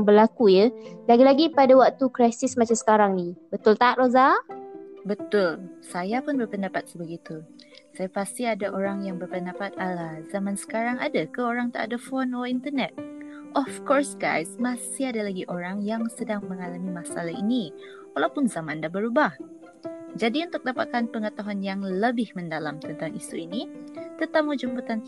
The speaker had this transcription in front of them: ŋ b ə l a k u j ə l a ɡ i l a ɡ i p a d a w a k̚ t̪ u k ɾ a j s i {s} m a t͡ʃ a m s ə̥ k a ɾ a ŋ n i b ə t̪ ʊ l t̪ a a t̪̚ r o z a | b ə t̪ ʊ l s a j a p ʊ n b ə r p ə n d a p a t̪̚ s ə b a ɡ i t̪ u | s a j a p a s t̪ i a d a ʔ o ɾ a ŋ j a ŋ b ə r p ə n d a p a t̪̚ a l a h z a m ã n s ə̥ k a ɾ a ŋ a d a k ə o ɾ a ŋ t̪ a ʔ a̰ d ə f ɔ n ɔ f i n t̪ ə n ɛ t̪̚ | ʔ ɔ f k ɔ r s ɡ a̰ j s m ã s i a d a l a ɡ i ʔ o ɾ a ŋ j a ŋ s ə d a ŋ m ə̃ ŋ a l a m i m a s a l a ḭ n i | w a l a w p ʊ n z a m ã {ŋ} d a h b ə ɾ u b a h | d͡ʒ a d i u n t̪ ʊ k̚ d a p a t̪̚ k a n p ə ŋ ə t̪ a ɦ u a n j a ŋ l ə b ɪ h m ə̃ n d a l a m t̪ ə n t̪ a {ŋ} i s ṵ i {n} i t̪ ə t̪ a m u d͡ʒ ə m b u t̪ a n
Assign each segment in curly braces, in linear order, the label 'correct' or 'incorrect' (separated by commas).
correct, incorrect, correct, correct